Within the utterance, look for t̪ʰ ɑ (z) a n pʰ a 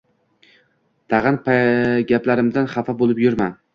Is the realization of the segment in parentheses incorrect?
yes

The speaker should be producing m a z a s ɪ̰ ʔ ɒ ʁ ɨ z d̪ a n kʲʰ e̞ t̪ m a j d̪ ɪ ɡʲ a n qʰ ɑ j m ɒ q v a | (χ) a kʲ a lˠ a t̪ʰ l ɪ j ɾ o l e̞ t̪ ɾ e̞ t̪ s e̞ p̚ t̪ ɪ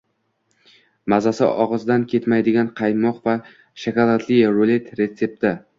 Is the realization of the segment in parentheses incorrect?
yes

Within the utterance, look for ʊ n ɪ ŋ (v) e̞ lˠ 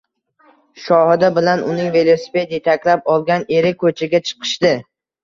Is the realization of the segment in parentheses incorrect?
no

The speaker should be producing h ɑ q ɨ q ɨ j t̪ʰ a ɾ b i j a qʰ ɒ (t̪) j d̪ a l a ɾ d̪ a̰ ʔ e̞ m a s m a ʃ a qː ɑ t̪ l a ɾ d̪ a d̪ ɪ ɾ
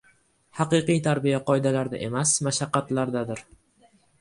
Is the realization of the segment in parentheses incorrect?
yes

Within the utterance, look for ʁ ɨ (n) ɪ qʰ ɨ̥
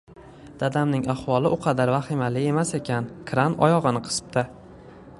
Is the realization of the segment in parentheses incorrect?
no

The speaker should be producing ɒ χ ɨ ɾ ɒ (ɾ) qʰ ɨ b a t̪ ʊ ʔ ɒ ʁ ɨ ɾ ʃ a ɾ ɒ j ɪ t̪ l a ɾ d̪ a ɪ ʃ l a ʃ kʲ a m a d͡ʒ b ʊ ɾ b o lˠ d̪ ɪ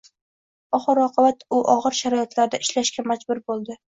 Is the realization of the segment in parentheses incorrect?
yes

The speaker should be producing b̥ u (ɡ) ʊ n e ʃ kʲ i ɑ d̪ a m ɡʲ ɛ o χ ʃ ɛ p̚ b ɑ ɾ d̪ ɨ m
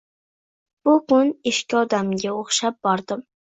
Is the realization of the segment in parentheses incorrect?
yes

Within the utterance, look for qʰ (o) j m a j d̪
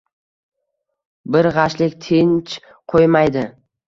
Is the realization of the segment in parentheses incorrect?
no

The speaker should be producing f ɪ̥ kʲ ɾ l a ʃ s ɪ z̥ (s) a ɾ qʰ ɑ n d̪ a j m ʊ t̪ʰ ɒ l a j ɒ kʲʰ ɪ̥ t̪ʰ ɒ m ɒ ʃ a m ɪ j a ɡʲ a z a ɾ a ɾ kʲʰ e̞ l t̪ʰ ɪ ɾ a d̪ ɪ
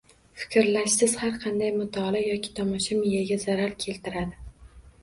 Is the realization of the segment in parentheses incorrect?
yes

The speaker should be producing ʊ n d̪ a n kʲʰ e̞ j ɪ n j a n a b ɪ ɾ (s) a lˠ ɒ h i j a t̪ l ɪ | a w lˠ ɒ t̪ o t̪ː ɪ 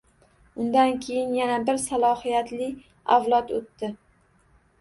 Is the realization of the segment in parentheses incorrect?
no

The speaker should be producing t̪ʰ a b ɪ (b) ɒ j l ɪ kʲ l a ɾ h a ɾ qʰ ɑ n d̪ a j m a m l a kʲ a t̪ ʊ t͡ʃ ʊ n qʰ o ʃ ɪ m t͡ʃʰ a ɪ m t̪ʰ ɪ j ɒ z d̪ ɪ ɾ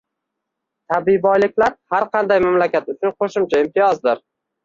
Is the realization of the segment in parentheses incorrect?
no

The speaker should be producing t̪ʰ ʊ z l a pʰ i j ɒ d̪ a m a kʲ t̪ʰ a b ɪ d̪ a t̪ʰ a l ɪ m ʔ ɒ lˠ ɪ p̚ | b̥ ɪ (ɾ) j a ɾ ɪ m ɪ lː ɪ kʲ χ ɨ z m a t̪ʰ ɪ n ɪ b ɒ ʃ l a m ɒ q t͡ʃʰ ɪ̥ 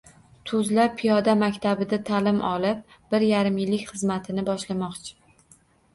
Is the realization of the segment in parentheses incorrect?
no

